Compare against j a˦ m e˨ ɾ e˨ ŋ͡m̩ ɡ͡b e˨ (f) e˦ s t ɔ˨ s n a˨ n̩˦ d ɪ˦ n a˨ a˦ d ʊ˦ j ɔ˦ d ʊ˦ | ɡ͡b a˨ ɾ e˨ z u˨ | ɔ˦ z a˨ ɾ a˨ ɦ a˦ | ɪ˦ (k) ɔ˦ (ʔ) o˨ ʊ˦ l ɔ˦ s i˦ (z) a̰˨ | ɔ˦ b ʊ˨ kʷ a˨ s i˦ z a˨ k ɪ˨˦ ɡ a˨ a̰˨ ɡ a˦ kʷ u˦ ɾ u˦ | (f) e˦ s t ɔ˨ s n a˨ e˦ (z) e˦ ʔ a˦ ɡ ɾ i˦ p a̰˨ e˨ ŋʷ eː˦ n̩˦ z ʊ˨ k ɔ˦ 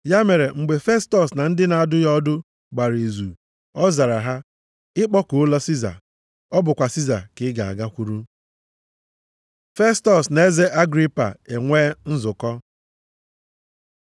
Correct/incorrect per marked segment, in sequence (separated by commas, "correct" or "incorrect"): correct, incorrect, incorrect, correct, correct, correct